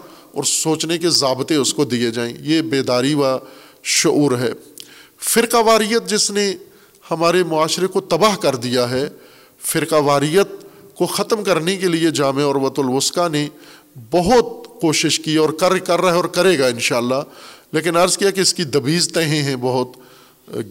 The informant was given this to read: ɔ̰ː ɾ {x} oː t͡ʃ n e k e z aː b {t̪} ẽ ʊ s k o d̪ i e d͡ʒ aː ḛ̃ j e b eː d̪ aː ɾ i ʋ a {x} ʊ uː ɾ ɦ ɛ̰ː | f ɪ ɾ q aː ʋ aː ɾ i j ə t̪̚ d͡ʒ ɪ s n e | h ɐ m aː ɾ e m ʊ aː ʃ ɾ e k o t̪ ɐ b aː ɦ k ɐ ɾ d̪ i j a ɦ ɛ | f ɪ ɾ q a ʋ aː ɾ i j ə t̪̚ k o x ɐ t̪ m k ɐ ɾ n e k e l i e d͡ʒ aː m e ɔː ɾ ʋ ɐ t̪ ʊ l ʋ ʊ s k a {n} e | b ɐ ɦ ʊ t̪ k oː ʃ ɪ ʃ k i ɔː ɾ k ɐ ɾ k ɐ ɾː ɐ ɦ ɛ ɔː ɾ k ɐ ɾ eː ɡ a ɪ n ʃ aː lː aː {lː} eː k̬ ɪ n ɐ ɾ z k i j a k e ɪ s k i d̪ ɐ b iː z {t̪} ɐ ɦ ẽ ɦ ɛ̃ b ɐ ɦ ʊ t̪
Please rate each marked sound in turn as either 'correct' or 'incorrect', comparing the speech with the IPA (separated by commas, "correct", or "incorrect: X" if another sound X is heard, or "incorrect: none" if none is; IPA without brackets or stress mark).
incorrect: s, correct, incorrect: ʃ, correct, incorrect: l, correct